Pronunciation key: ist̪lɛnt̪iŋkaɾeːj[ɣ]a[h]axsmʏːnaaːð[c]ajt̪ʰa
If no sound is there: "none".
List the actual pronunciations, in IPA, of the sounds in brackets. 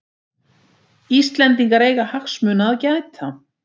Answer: ɣ, h, c

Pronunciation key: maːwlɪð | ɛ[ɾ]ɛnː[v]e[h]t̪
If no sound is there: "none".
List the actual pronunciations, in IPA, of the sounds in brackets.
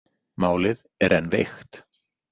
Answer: ɾ, v, x

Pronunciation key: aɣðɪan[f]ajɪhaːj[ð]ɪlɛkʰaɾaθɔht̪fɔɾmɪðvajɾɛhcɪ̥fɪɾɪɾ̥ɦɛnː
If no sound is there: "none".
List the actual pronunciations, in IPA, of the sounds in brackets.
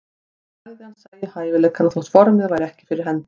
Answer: s, v

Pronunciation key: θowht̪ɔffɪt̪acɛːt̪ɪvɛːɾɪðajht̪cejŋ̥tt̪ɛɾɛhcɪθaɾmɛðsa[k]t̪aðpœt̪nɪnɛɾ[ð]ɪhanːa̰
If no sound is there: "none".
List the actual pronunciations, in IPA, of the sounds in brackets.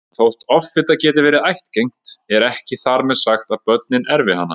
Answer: x, v

